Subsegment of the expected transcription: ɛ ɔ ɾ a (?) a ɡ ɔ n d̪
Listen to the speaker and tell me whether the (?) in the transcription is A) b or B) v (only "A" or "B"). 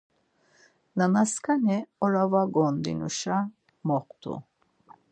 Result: B